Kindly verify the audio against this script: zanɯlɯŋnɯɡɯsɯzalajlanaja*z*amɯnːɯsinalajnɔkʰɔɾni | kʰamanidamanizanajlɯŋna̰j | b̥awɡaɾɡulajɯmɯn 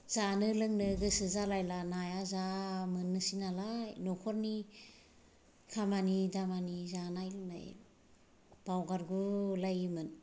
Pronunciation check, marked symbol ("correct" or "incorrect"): correct